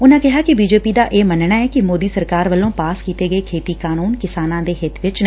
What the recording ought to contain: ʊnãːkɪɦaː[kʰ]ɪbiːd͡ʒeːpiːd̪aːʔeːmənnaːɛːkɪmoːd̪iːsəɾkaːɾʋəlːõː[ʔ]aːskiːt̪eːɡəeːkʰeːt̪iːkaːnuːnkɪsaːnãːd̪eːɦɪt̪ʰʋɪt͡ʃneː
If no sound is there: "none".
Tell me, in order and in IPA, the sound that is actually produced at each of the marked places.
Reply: k, p

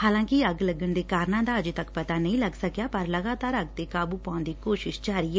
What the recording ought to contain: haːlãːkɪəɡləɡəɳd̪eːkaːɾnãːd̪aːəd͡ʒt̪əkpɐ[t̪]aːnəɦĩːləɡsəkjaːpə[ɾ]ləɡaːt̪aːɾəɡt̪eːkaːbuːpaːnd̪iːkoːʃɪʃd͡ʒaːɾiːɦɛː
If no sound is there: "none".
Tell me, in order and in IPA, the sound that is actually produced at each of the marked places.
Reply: t̪, ɾ

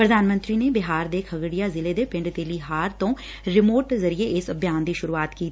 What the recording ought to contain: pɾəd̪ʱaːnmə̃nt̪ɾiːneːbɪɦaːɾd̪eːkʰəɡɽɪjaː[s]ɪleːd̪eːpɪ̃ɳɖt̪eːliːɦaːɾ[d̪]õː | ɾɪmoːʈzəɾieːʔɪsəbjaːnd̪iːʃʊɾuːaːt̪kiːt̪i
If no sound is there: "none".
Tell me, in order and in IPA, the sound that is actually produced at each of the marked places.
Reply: z, t̪

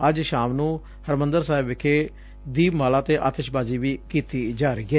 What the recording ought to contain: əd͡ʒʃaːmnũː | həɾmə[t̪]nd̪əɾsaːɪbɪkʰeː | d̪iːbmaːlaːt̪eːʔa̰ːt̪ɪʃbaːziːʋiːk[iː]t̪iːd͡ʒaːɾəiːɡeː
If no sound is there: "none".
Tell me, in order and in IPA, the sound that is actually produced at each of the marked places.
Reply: none, iː

